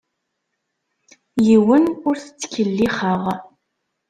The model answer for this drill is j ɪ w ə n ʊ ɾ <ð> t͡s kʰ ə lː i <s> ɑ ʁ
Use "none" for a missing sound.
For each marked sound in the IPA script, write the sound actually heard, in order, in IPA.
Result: θ, χ

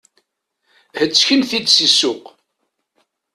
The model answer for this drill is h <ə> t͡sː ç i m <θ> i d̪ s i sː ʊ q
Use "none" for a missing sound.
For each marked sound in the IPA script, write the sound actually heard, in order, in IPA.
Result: ə, θ

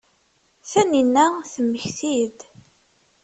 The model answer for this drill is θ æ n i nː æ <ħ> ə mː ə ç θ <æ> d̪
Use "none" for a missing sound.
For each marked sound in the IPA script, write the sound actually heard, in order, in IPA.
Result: θ, i

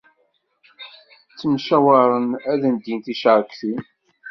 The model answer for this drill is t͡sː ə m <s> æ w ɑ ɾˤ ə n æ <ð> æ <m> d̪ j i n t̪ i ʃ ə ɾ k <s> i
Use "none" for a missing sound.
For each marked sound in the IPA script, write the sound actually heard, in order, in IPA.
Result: ʃ, ð, n, θ

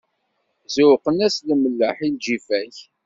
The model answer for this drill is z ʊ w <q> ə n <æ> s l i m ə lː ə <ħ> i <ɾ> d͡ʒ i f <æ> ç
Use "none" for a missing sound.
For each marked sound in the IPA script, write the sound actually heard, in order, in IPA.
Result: q, æ, ħ, l, æ

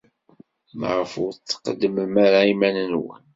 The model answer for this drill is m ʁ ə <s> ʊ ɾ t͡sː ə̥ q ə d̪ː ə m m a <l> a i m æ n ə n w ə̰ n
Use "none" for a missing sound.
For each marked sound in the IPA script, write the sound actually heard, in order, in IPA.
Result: f, ɾ

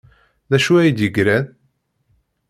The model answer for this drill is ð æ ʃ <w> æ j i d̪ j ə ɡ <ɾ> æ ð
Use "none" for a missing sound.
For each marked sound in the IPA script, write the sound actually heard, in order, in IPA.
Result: u, ɾ

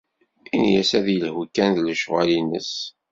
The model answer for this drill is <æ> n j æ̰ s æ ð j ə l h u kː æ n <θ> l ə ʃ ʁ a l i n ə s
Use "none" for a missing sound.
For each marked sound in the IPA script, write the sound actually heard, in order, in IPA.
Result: i, ð

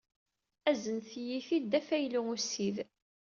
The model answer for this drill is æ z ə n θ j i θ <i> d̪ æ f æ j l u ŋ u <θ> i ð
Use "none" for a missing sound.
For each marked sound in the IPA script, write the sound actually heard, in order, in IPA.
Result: i, s

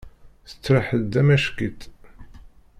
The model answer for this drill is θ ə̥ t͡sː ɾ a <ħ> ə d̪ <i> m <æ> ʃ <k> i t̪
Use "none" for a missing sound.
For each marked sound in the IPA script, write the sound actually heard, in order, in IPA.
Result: ħ, æ, æ, k

